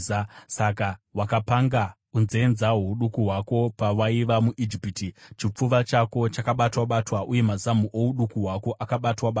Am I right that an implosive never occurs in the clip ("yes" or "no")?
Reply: no